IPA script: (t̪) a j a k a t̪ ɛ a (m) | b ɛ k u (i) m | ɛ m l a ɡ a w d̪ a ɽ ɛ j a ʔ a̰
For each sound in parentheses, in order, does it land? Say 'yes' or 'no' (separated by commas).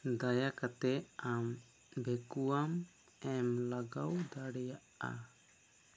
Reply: no, yes, no